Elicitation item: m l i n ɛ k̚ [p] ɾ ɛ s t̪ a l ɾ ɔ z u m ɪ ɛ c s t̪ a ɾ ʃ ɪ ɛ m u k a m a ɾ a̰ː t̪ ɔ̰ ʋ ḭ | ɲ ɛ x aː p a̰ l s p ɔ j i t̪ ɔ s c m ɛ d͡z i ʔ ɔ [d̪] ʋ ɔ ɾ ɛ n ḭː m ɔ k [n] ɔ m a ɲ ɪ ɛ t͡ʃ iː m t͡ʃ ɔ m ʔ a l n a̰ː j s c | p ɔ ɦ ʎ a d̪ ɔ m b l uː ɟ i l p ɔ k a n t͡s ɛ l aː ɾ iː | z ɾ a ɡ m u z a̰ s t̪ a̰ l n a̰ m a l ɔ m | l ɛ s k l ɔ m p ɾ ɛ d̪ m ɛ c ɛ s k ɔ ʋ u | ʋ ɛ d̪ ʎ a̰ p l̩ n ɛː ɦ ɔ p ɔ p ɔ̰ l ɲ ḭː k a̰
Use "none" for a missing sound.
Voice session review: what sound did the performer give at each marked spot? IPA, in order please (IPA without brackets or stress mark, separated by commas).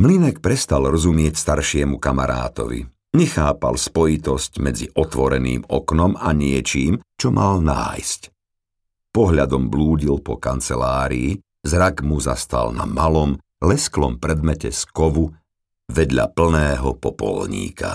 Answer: p, t̪, n